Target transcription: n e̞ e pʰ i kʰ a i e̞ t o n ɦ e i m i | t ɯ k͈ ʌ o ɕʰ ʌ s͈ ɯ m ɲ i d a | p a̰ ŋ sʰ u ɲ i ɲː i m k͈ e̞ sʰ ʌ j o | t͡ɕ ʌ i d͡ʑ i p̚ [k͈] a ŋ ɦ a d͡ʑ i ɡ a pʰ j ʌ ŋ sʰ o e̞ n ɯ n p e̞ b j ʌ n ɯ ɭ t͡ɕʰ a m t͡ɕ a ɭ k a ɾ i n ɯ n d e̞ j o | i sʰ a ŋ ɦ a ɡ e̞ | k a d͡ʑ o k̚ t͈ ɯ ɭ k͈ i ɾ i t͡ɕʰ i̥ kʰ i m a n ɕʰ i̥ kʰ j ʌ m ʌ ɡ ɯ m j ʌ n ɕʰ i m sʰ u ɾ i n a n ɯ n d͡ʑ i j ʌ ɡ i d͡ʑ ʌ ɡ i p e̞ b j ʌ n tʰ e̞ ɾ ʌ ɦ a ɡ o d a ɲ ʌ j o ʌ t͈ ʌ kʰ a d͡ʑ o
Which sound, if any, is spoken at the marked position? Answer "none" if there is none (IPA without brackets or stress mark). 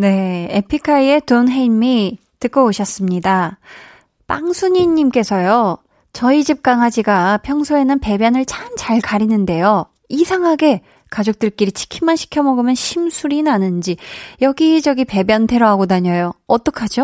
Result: k͈